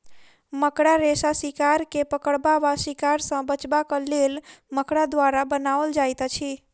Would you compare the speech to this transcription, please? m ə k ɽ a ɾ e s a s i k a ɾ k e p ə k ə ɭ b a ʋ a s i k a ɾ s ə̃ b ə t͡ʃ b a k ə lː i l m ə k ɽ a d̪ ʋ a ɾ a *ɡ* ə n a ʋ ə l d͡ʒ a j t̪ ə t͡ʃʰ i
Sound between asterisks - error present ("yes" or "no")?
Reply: yes